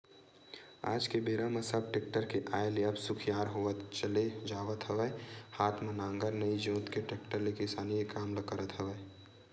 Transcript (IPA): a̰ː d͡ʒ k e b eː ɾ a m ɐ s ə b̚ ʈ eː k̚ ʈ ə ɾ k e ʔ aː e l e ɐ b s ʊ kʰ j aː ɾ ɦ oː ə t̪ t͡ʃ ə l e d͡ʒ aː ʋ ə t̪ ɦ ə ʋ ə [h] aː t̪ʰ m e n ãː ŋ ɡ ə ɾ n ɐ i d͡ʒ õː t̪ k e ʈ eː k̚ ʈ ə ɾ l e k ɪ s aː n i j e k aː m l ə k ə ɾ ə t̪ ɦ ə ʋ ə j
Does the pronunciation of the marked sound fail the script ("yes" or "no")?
no